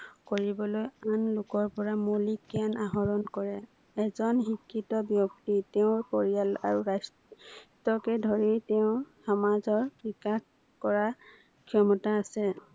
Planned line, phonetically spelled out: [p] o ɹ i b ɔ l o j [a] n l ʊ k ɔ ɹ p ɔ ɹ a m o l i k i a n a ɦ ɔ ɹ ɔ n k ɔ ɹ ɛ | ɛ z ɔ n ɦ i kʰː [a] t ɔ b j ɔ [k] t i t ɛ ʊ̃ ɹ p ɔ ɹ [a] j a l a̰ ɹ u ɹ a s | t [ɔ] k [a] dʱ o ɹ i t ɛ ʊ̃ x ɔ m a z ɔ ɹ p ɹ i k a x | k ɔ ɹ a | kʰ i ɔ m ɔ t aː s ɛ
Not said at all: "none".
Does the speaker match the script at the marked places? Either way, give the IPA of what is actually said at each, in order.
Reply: k, a, i, k, i, ɔ, ɛ

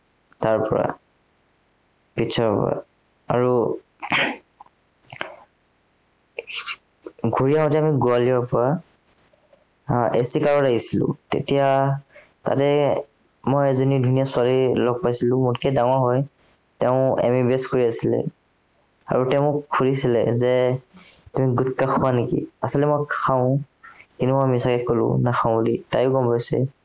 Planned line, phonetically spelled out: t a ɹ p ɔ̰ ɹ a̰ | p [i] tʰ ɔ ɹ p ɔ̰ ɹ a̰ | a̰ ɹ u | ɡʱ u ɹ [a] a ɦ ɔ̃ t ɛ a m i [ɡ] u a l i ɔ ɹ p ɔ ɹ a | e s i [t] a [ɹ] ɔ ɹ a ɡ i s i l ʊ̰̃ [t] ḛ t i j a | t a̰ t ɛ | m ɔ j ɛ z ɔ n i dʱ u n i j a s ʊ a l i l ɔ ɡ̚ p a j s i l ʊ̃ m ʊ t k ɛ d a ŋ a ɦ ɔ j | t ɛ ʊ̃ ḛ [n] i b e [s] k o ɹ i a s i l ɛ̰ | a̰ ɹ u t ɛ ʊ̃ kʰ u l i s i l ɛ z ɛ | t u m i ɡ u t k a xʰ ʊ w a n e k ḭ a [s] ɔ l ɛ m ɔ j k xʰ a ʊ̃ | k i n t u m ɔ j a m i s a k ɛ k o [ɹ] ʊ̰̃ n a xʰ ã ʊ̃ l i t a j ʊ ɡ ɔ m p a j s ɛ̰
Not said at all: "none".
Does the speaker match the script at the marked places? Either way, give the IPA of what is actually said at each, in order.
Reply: i, i, ɡ, k, ɹ, t, m, s, s, l

